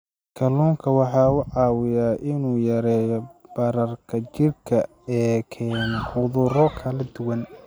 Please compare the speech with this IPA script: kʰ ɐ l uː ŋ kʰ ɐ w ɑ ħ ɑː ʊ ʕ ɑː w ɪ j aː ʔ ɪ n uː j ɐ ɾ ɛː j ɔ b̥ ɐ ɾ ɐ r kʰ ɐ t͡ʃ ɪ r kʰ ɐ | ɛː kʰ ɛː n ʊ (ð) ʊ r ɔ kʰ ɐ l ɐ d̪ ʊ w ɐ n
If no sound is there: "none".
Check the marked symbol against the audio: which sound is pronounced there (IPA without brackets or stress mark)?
ð